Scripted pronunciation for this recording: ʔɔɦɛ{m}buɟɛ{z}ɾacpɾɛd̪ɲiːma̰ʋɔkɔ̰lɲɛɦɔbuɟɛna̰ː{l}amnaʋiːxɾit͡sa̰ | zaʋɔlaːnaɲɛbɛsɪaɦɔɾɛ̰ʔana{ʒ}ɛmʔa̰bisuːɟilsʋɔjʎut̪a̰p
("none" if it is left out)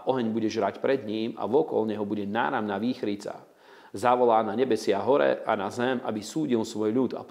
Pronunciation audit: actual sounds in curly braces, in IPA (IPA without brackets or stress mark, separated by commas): ɲ, ʒ, ɾ, z